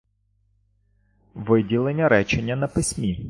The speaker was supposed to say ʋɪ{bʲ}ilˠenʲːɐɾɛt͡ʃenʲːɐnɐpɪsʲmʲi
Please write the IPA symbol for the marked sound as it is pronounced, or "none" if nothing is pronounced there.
dʲ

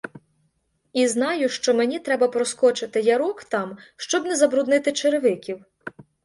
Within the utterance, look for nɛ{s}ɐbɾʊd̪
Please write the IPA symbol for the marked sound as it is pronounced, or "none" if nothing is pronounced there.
z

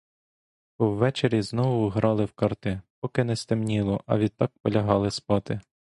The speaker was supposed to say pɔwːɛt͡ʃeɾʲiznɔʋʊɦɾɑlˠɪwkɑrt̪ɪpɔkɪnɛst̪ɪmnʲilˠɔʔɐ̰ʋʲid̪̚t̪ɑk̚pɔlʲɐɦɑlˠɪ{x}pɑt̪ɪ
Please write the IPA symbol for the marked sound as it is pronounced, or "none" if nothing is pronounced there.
s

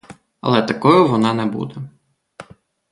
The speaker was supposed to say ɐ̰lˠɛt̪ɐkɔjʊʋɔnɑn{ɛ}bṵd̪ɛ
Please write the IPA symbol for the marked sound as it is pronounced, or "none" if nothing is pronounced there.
ɛ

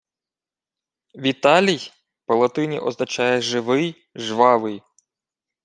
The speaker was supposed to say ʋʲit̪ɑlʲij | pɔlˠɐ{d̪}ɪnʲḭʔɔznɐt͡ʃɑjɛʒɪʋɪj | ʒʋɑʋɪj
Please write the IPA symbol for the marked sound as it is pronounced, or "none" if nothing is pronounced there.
t̪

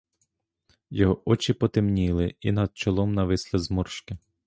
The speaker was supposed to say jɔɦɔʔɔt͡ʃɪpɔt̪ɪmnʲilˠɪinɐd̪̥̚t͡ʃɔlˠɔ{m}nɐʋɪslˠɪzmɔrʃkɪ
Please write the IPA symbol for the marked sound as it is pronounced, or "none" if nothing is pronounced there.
m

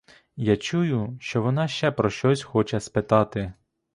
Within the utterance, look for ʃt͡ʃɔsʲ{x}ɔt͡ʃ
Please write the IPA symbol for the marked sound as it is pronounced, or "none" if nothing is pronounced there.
x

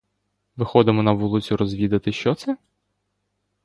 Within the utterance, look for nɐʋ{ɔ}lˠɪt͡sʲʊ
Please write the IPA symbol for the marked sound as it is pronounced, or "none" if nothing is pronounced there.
u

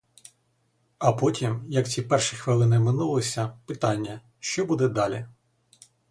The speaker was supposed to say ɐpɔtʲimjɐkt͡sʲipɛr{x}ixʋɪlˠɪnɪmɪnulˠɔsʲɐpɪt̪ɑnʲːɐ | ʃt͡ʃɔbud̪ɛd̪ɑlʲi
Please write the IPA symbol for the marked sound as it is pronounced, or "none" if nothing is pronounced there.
ʃ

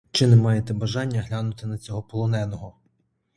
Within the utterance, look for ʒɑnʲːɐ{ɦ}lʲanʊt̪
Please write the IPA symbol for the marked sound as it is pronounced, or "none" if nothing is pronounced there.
ɦ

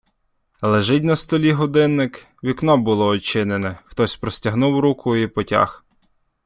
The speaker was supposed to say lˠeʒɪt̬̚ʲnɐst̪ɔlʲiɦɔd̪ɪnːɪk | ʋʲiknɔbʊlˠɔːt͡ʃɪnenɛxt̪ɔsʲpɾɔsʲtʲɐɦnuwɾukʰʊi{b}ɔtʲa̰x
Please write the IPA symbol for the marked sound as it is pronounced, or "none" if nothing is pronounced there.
p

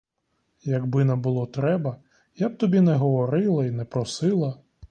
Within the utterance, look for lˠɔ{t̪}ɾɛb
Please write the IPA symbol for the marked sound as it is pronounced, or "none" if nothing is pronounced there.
t̪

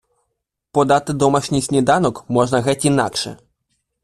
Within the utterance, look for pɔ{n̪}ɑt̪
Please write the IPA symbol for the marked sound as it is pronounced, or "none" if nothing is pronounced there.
d̪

